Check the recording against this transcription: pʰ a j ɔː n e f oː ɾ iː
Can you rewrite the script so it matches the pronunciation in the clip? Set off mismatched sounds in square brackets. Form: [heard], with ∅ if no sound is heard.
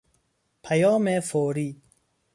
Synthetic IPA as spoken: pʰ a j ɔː [m] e f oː ɾ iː